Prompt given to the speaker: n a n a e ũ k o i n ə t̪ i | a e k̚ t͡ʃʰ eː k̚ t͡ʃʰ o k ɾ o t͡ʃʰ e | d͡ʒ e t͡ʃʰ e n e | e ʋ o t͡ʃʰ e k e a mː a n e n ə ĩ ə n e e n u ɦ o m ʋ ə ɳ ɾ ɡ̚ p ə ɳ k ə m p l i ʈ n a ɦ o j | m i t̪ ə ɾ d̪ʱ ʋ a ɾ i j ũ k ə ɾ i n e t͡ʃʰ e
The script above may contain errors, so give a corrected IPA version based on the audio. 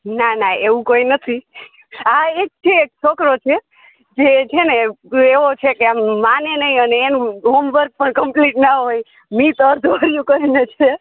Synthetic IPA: n a n a e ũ k o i n ə t̪ʰ i | a e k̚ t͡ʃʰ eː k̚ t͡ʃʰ o k ɾ o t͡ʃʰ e | d͡ʒ e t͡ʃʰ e n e | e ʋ o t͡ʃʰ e k e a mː a n e n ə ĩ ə n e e n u ɦ o m ʋ ə ɾ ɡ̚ p ə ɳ k ə m p l i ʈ n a ɦ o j | m i t̪ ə ɾ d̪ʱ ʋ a ɾ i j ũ k ə ɾ i n e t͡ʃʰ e